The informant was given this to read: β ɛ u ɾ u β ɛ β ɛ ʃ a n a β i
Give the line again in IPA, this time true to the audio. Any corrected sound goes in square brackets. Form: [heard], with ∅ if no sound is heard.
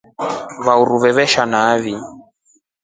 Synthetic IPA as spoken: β [a] u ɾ u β ɛ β ɛ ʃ a n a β i